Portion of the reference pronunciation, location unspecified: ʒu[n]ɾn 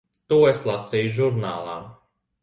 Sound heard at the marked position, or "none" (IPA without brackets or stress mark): none